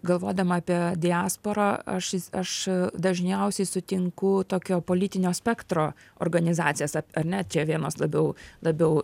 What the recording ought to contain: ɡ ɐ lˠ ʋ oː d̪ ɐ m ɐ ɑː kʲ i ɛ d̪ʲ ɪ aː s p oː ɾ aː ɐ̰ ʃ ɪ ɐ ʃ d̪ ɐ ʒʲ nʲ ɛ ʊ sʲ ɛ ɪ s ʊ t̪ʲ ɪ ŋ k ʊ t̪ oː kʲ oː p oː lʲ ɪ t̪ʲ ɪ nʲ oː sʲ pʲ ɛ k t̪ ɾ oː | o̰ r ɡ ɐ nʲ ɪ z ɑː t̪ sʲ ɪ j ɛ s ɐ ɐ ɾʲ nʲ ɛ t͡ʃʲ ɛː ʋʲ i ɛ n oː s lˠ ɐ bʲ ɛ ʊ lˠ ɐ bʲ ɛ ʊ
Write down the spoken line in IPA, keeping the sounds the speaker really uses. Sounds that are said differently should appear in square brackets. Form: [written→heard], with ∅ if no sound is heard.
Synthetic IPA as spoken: ɡ ɐ lˠ ʋ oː d̪ ɐ m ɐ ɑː [kʲ→pʲ] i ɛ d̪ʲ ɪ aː s p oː ɾ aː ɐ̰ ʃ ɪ ɐ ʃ d̪ ɐ ʒʲ nʲ ɛ ʊ sʲ ɛ ɪ s ʊ t̪ʲ ɪ ŋ k ʊ t̪ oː kʲ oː p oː lʲ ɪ t̪ʲ ɪ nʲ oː sʲ pʲ ɛ k t̪ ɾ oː | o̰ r ɡ ɐ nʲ ɪ z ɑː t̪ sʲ ɪ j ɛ s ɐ ɐ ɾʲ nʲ ɛ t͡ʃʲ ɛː ʋʲ i ɛ n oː s lˠ ɐ bʲ ɛ ʊ lˠ ɐ bʲ ɛ ʊ

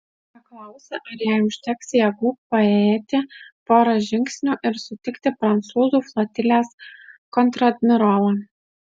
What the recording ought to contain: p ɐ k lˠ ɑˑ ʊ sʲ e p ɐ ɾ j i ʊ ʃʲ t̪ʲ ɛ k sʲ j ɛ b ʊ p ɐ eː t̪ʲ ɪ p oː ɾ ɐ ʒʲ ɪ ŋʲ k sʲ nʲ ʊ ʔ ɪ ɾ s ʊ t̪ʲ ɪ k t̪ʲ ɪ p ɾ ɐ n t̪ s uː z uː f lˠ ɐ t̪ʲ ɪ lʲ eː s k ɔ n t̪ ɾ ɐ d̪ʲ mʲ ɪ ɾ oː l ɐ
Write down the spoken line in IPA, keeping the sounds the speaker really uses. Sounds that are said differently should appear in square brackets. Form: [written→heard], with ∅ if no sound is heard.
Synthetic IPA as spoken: p ɐ k lˠ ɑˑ ʊ sʲ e [p→ʔ] ɐ ɾ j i ʊ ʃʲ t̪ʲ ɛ k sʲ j ɛ [b→ɡ] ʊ p ɐ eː t̪ʲ ɪ p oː ɾ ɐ ʒʲ ɪ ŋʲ k sʲ nʲ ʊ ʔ ɪ ɾ s ʊ t̪ʲ ɪ k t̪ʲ ɪ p ɾ ɐ n t̪ s uː z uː f lˠ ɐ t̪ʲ ɪ lʲ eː s k ɔ n t̪ ɾ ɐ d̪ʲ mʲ ɪ ɾ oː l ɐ

